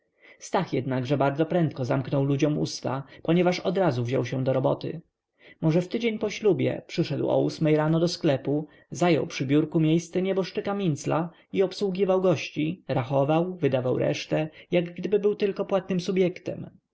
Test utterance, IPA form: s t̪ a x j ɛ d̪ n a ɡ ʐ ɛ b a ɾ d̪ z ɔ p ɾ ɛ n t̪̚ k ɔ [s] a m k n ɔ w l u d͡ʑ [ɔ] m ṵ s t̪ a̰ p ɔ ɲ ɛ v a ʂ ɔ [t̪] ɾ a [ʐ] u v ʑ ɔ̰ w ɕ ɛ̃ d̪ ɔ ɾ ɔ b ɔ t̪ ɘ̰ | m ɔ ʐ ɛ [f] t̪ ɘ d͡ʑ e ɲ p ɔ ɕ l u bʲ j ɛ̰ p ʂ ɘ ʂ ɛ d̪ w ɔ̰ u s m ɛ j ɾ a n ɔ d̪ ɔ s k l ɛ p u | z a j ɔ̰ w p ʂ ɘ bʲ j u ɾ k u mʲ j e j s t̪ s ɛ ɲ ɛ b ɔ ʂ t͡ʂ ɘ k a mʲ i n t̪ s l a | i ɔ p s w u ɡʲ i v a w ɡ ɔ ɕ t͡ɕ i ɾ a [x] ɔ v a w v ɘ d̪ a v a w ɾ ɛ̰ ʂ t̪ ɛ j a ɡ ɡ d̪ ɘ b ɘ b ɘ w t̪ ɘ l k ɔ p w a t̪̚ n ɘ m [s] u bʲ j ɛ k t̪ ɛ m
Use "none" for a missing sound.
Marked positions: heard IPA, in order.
z, ɔ, d̪, z, f, x, s

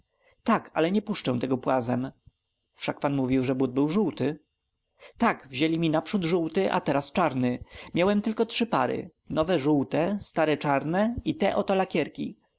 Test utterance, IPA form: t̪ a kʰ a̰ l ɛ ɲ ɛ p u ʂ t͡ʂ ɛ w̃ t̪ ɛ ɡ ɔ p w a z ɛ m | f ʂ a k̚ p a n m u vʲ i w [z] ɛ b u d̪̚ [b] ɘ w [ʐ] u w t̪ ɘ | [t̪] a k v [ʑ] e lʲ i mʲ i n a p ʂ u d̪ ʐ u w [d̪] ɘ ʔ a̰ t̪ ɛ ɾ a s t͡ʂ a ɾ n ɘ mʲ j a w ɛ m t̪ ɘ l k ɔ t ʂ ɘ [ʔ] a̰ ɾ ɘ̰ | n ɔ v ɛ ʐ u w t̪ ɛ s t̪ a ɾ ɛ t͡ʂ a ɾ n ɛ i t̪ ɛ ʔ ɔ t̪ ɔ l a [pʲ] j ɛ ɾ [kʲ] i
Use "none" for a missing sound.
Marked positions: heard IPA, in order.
ʐ, b, ʐ, t̪, ʑ, t̪, p, kʲ, kʲ

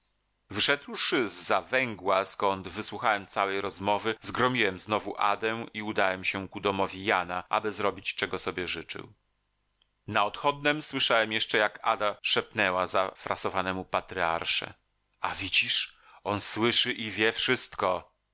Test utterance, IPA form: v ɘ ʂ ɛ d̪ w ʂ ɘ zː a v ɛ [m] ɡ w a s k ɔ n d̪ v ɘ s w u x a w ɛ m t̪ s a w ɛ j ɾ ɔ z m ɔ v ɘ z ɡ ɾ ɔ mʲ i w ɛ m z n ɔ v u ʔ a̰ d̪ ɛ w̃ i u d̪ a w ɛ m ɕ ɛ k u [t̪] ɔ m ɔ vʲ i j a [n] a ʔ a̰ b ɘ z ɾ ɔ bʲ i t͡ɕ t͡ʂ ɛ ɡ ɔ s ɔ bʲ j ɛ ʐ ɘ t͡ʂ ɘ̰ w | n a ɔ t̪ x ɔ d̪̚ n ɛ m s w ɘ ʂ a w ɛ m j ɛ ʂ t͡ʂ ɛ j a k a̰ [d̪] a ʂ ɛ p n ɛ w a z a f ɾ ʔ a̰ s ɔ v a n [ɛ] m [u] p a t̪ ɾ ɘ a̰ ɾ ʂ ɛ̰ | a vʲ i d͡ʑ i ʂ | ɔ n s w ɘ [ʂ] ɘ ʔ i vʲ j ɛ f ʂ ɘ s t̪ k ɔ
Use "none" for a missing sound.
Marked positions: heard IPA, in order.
ŋ, d̪, n, d̪, ɛ, u, ʂ

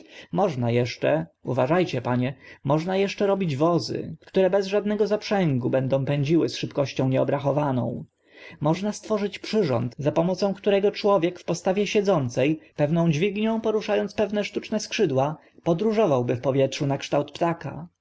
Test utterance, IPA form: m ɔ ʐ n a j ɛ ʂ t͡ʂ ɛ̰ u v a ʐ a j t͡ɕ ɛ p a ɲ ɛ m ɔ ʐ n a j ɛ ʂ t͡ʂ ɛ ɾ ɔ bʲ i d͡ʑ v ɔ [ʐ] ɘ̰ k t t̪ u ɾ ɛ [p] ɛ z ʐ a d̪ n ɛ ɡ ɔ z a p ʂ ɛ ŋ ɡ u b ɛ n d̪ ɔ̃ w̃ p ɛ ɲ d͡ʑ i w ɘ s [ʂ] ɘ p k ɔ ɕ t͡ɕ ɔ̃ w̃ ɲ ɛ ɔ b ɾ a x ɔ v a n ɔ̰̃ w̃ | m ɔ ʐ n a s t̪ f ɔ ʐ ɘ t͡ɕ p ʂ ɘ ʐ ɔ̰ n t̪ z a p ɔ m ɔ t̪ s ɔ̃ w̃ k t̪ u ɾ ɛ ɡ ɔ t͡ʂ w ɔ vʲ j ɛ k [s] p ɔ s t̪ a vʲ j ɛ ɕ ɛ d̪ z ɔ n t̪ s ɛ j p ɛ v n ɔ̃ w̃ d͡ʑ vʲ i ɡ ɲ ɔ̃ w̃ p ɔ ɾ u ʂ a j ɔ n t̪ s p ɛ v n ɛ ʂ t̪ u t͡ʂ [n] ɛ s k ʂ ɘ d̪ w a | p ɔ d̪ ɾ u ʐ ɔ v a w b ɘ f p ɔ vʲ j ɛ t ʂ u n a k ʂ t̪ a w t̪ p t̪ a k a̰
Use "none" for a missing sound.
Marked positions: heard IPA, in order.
z, b, ʂ, f, n

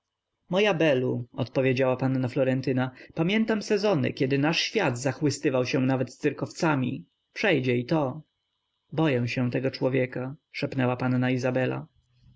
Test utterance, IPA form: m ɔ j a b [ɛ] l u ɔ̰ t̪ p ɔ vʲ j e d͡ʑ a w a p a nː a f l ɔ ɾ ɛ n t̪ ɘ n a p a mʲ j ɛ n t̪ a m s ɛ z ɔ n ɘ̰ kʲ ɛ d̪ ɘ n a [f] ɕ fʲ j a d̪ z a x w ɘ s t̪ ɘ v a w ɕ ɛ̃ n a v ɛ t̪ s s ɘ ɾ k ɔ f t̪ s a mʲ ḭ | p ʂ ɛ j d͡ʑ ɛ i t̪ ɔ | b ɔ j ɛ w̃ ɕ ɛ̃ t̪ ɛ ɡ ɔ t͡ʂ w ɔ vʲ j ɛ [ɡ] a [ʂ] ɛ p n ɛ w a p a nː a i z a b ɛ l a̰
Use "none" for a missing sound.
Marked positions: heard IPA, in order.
ɛ, ʂ, k, ʂ

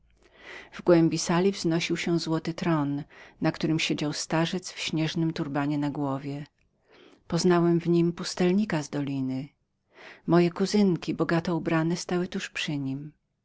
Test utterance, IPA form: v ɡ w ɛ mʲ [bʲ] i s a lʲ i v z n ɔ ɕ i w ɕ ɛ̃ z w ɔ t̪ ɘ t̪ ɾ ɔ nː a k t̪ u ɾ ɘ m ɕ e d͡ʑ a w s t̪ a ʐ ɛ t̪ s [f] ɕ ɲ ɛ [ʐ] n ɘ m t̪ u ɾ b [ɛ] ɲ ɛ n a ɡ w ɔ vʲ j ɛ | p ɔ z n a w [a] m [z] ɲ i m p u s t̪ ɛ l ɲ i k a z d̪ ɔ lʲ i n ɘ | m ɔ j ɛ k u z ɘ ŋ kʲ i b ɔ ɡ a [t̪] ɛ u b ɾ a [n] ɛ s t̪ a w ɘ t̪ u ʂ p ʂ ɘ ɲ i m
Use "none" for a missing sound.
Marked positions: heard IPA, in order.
bʲ, f, ʐ, a, ɛ, v, t̪, n

